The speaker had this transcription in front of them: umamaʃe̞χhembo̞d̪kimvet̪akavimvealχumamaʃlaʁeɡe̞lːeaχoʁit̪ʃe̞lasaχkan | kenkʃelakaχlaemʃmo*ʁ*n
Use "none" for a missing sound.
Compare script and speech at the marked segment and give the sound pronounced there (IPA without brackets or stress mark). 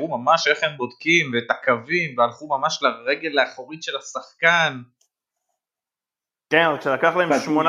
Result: none